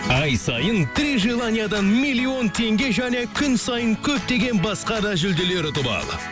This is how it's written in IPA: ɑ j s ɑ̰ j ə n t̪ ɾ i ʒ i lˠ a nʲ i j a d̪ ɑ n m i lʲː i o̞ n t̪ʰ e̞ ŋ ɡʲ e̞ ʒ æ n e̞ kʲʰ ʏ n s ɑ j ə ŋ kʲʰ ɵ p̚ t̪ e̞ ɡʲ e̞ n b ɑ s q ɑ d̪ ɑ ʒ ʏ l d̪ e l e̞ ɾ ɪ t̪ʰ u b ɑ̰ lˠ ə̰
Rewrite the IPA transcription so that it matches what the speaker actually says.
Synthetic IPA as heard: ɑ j s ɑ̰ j ə n t̪ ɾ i ʒ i lˠ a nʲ i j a d̪ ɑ n m i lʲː i o̞ n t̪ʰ e̞ ŋ ɡʲ e̞ ʒ æ n e̞ kʲʰ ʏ n s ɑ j ə ŋ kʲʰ ɵ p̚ t̪ e̞ ɡʲ e̞ n b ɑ s q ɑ d̪ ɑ ʒ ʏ l d̪ e l e̞ ɾ ɪ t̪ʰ ʊ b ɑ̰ lˠ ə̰

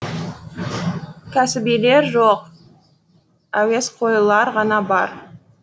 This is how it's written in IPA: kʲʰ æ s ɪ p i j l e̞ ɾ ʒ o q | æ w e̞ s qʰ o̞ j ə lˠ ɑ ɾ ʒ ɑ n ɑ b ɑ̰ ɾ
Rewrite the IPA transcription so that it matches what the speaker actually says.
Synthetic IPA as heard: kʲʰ æ s ɪ b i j l e̞ ɾ ʒ o q | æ w e̞ s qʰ o̞ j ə lˠ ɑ ɾ ʁ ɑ n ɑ b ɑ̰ ɾ

